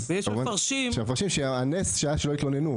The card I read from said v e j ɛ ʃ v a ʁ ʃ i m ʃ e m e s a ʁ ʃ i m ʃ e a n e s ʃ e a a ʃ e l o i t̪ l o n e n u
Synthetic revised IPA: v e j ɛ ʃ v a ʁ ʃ i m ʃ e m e f a ʁ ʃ i m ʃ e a n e s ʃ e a a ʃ e l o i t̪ l o n e n u